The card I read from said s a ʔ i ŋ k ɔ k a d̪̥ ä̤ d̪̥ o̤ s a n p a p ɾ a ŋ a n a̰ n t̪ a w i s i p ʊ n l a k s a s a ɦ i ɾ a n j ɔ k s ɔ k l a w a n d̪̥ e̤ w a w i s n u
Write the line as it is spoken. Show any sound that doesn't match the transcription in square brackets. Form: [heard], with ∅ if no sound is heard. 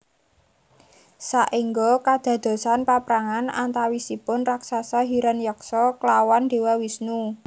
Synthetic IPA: s a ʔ i ŋ [ɡ] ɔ k a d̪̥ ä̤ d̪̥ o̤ s a n p a p ɾ a ŋ a n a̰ n t̪ a w i s i p ʊ n [r] a k s a s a ɦ i ɾ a n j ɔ k s ɔ k l a w a n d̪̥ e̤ w a w i s n u